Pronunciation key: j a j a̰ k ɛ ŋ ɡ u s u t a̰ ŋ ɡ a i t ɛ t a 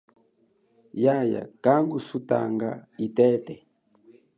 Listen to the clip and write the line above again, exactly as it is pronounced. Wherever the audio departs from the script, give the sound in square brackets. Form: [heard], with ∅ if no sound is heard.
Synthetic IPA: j a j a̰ k [a] ŋ ɡ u s u t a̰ ŋ ɡ a i t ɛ t [ɛ]